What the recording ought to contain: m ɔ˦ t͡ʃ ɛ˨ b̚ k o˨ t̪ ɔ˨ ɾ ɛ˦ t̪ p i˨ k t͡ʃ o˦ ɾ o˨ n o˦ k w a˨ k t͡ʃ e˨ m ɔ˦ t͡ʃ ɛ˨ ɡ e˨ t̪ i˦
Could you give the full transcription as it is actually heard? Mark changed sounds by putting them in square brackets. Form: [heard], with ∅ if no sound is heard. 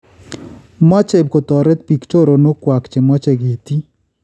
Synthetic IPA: m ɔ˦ t͡ʃ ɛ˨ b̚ k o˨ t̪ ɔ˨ ɾ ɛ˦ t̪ p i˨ k t͡ʃ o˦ ɾ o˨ n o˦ k w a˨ k t͡ʃ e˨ m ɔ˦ t͡ʃ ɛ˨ ɡ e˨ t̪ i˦